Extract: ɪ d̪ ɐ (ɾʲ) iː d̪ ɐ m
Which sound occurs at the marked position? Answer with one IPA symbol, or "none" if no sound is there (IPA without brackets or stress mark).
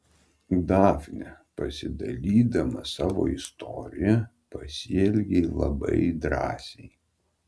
lʲ